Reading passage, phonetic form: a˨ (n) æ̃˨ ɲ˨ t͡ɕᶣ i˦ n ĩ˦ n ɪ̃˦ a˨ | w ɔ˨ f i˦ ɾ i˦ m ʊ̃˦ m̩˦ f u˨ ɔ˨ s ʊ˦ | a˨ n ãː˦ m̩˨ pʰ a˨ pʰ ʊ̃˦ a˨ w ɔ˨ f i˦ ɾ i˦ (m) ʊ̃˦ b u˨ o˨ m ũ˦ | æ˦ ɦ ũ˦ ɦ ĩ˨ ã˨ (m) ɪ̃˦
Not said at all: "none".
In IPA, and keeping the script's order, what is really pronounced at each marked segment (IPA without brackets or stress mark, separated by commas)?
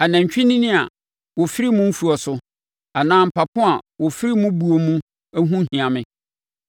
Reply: n, m, m